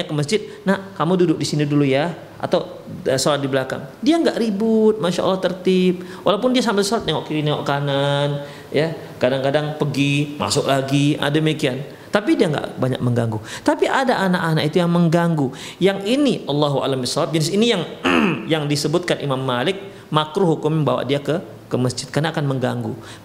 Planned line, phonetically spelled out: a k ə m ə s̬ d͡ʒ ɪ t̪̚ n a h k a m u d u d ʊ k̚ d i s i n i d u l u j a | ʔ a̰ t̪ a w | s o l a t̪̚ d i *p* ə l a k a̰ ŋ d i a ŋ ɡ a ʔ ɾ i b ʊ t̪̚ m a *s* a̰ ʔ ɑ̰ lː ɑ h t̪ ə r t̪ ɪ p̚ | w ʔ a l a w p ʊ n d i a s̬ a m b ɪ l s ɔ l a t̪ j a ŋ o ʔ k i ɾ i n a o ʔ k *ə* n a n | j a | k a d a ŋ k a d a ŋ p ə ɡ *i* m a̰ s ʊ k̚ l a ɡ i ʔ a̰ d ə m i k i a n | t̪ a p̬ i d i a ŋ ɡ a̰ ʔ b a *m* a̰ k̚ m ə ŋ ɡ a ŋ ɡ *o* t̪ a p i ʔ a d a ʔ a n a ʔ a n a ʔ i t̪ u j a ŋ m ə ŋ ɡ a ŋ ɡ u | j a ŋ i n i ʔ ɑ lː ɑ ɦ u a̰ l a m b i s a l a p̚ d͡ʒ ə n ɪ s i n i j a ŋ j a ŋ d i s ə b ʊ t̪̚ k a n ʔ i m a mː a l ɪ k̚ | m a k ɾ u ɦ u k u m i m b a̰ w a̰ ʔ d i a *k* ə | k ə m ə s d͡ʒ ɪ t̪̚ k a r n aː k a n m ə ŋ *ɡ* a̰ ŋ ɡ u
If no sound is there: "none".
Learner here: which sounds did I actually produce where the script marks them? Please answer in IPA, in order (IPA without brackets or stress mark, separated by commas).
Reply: b, ʃ, a, i, ɲ, u, k, ɡ